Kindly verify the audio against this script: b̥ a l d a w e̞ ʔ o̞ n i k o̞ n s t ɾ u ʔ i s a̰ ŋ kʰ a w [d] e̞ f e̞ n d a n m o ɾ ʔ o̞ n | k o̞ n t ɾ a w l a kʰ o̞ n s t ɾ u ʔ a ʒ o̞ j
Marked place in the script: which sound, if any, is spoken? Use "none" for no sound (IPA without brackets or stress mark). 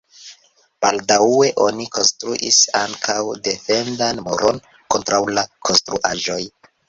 d